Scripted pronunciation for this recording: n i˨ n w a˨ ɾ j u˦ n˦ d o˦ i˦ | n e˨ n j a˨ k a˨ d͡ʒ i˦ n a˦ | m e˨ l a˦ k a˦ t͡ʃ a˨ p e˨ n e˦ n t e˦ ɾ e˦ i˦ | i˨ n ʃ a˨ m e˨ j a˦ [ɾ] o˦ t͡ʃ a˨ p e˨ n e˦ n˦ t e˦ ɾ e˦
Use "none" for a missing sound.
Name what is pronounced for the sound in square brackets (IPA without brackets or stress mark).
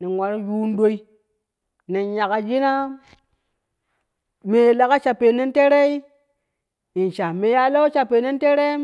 l